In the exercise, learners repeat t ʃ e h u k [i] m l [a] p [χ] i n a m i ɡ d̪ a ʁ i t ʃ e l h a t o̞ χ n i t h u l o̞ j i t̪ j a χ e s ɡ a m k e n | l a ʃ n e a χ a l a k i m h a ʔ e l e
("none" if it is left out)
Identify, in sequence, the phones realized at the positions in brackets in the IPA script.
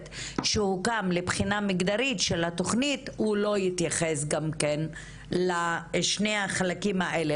a, e, χ

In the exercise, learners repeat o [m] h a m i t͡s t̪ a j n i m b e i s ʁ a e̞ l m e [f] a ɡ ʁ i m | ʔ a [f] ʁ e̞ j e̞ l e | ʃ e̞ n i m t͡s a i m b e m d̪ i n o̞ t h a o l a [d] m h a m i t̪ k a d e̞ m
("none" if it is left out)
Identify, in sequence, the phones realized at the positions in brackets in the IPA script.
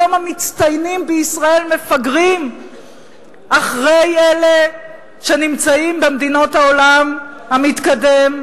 m, f, χ, none

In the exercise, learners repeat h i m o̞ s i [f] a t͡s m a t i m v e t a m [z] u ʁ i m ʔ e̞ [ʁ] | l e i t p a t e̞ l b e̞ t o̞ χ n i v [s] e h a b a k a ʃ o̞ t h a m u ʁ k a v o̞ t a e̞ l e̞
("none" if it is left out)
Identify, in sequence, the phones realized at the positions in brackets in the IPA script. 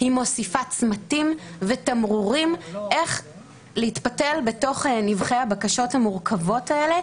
f, ʁ, χ, χ

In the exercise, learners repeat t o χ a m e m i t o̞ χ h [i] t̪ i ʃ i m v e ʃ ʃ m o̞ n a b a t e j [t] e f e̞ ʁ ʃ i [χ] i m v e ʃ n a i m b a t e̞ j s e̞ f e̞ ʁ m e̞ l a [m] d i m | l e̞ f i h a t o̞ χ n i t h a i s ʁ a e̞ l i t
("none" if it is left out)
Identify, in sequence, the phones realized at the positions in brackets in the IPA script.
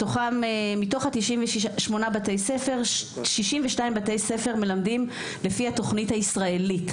a, s, ʃ, m

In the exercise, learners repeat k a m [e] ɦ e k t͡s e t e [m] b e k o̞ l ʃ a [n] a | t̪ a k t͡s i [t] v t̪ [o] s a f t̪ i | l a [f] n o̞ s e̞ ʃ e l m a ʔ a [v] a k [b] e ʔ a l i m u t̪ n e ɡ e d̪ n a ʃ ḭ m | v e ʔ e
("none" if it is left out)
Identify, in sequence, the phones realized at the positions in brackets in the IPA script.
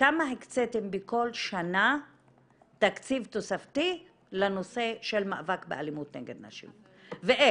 a, m, n, none, o, none, v, b

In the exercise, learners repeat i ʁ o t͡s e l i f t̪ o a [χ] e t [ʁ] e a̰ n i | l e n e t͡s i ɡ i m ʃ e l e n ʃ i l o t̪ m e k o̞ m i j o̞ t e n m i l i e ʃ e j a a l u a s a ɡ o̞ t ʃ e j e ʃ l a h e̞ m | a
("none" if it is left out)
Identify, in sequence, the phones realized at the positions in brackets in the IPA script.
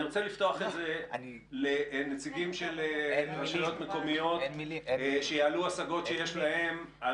χ, z

